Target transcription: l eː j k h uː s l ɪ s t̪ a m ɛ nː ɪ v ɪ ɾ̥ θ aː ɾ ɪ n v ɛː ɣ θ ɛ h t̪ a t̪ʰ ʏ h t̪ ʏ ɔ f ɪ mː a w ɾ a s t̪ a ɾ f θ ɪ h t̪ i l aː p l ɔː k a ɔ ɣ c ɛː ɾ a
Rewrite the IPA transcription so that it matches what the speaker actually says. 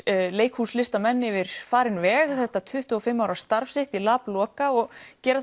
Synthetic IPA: l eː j k h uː s l ɪ s t̪ a m ɛ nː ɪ v ɪ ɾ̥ f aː ɾ ɪ n v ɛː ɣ θ ɛ h t̪ a t̪ʰ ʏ h t̪ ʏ ɔ f ɪ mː a w ɾ a s t̪ a ɾ f s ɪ h t̪ i l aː p l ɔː k a ɔ ɣ c ɛː ɾ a